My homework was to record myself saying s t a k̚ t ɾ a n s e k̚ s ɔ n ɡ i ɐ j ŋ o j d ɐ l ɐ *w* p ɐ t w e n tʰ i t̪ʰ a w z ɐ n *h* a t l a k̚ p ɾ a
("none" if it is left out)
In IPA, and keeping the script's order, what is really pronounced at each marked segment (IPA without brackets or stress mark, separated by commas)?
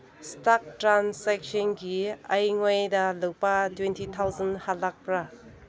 w, h